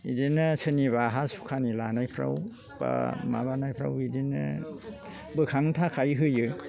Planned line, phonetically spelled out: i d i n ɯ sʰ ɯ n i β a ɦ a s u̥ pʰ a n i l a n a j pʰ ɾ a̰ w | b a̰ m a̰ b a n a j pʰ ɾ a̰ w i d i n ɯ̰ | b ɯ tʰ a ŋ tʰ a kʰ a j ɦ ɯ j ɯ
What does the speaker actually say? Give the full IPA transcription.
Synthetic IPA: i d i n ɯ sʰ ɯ n i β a ɦ a s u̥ kʰ a n i l a n a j pʰ ɾ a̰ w | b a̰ m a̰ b a n a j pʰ ɾ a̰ w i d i n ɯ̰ | b ɯ kʰ a ŋ tʰ a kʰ a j ɦ ɯ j ɯ